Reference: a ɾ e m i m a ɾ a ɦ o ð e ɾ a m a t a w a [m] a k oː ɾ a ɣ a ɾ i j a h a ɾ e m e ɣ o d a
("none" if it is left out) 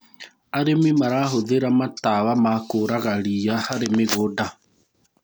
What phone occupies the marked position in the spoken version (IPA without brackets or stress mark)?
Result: m